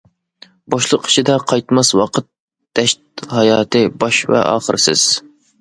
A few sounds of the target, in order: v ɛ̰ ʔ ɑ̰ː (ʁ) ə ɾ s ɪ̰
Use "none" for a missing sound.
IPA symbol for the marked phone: χ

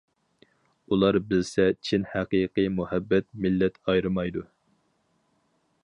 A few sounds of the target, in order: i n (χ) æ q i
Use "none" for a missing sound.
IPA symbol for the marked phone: h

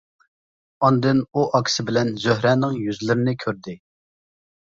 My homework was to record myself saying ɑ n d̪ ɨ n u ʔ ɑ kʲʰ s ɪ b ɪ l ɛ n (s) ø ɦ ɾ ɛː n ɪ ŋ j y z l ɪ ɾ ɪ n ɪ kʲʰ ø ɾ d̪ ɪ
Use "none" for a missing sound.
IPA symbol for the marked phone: z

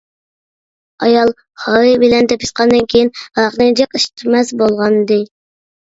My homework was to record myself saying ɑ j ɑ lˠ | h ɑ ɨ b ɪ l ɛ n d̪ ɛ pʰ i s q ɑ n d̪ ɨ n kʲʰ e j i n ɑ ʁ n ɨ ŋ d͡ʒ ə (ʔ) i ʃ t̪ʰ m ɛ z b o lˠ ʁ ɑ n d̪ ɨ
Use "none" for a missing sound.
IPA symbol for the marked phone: q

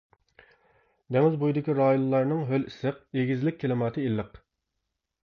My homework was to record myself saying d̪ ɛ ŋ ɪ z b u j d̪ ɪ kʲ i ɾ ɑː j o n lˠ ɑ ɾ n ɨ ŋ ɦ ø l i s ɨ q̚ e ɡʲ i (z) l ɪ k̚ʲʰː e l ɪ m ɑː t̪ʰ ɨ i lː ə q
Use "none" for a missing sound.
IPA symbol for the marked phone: z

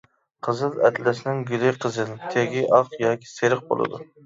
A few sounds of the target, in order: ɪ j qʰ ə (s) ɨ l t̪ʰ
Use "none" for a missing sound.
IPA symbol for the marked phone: z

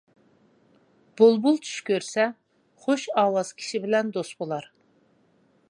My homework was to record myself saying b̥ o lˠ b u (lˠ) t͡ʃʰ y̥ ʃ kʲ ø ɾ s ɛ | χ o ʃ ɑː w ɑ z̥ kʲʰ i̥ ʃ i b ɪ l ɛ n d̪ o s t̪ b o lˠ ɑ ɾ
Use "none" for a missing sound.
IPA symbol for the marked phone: lˠ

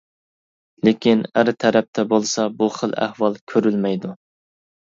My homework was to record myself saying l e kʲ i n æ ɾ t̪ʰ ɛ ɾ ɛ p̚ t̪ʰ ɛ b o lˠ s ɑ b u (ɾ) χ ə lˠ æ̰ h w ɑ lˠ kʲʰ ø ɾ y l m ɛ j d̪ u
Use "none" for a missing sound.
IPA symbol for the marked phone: none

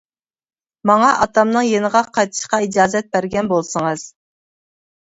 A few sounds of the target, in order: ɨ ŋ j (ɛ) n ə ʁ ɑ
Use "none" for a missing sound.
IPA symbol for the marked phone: e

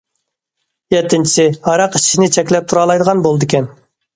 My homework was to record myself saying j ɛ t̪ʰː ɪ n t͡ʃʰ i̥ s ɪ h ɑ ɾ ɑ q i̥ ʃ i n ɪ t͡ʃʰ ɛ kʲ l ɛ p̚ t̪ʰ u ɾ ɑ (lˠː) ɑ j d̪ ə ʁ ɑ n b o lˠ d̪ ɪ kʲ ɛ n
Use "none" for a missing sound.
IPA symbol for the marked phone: lˠ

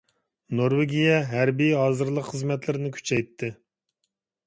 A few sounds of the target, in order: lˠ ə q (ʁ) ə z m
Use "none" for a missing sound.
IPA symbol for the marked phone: χ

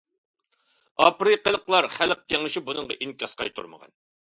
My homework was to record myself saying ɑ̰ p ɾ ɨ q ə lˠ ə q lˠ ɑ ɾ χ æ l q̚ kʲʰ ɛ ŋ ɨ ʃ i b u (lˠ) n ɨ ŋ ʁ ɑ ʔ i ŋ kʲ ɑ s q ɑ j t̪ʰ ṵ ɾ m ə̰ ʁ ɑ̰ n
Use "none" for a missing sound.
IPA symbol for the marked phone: none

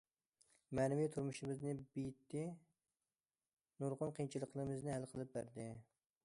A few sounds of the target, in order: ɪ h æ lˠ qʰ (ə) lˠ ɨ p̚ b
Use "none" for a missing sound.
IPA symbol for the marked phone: ə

